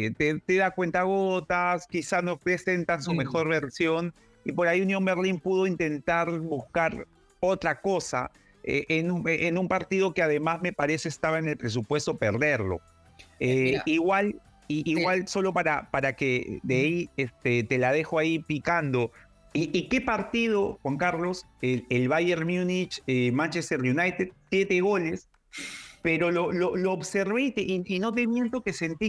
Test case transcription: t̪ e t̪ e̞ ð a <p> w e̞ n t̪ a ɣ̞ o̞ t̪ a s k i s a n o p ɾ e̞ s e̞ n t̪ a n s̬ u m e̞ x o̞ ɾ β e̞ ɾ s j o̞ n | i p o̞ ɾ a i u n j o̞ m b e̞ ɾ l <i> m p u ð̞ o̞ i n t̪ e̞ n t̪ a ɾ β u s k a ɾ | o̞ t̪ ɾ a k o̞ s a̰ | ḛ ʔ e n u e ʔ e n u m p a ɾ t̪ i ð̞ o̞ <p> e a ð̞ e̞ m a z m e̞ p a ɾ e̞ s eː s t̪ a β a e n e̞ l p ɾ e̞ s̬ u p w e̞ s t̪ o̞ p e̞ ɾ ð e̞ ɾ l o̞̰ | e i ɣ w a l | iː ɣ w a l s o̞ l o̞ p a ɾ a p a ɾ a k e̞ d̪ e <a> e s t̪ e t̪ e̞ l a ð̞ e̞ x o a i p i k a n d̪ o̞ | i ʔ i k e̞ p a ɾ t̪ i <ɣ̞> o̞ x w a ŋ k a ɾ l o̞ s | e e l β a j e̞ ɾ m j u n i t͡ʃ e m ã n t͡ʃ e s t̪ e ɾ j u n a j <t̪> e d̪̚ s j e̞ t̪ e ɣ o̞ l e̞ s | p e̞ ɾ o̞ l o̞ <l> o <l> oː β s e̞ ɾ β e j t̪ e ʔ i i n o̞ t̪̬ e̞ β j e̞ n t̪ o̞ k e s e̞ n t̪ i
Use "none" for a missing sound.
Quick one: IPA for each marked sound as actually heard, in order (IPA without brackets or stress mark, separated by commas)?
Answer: k, i, k, i, ð̞, t̪, l, l